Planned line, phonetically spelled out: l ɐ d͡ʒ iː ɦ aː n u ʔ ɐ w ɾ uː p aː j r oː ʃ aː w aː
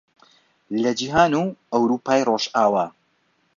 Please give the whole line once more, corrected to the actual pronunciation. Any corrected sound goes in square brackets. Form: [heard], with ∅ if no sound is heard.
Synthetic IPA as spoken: l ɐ d͡ʒ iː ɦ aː n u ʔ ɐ w ɾ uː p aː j r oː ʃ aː w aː